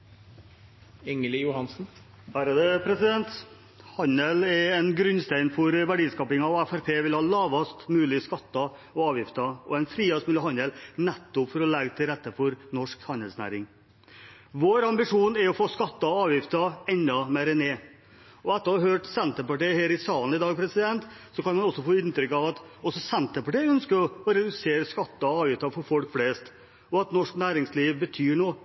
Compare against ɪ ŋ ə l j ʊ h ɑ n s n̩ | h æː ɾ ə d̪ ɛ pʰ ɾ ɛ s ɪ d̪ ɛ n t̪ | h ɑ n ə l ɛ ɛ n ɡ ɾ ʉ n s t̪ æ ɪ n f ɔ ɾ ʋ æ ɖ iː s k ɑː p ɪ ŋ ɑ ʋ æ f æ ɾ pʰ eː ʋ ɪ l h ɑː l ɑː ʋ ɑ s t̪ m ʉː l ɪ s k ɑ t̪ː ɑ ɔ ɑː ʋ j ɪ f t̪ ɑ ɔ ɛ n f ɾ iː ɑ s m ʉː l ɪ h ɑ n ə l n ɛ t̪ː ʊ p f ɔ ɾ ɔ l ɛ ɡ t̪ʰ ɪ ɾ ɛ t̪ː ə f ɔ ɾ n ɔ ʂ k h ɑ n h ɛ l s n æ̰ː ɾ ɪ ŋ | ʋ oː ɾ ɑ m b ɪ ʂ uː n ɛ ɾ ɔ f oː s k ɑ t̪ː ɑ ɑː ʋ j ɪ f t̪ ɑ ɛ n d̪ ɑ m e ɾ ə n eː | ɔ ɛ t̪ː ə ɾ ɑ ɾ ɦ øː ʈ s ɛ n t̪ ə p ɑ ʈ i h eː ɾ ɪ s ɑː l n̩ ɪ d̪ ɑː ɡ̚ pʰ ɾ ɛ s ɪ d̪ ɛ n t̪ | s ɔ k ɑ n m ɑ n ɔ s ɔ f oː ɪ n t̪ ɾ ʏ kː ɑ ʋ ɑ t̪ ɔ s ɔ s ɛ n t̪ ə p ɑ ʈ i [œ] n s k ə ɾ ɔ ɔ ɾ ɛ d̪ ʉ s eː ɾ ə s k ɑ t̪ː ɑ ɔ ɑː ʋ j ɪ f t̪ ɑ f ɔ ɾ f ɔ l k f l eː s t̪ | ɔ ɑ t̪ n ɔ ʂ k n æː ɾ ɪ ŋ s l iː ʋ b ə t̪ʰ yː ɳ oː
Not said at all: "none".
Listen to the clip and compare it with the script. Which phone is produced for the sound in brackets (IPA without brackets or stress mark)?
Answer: œ